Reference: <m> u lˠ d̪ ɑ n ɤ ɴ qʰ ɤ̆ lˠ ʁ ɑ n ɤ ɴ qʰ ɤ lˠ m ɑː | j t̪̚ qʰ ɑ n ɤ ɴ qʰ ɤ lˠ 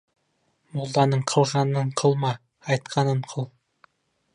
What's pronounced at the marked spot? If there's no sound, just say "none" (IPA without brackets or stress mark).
m